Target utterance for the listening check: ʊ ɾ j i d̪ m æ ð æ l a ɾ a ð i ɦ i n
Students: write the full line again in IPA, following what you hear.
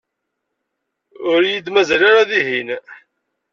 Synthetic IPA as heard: ʊ ɾ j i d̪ m æ z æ l a ɾ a ð i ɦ i n